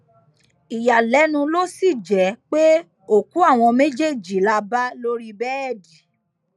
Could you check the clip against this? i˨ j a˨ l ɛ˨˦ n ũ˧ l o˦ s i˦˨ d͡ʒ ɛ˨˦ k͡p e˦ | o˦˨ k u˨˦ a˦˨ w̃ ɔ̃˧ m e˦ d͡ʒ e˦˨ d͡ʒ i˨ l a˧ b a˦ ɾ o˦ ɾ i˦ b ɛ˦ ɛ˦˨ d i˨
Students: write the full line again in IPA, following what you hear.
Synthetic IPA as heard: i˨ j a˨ l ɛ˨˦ n ũ˧ l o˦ s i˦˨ d͡ʒ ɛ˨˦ k͡p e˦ | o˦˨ k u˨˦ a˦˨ w̃ ɔ̃˧ m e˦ d͡ʒ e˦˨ d͡ʒ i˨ l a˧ b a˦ l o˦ ɾ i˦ b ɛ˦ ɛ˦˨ d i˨